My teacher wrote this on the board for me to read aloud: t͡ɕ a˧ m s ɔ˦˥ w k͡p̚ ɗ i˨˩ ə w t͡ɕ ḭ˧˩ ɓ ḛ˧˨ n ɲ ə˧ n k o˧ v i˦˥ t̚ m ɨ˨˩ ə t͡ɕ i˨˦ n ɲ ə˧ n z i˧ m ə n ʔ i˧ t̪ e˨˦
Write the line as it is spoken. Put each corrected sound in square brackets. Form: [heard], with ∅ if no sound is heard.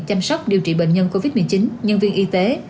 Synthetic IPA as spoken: t͡ɕ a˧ m s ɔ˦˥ w k͡p̚ ɗ i˨˩ ə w t͡ɕ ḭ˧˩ ɓ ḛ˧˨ n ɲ ə˧ n k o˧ v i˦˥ t̚ m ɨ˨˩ ə t͡ɕ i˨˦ n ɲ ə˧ n [v] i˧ [∅] ə n ʔ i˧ t̪ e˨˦